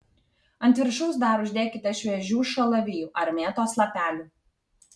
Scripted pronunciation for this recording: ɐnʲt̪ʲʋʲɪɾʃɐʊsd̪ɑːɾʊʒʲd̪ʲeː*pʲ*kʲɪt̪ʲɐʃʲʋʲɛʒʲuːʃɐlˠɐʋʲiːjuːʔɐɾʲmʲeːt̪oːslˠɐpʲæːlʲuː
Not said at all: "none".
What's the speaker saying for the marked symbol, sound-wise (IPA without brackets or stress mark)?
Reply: none